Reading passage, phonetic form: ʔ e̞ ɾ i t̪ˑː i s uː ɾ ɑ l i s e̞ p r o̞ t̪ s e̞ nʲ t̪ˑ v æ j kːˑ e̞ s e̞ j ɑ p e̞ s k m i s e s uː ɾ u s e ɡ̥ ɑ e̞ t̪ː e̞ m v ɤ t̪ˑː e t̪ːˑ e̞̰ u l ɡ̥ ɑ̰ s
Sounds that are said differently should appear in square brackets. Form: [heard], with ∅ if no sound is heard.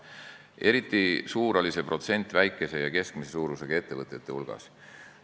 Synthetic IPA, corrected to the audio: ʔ e̞ ɾ i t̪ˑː i s uː ɾ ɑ l i s e̞ p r o̞ t̪ s e̞ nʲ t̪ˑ v æ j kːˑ e̞ s e̞ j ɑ [k] e̞ s k m i s e s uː ɾ u s e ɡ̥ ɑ e̞ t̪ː e̞ [∅] v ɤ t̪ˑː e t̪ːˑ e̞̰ u l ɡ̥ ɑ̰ s